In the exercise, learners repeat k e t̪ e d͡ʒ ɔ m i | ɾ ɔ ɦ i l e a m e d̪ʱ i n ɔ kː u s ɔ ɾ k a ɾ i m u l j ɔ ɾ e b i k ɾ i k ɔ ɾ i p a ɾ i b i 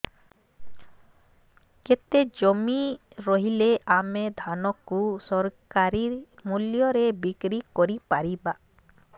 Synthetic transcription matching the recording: k e t̪ e d͡ʒ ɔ m i | ɾ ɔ ɦ i l e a m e d̪ʱ a n ɔ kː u s ɔ ɾ k a ɾ i m u l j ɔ ɾ e b i k ɾ i k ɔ ɾ i p a ɾ i b a